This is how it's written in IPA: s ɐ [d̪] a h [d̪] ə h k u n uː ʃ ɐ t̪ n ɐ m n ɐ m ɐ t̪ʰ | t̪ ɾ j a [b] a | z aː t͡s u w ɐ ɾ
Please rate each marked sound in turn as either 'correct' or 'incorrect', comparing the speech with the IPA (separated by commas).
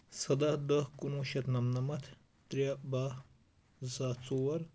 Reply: correct, correct, correct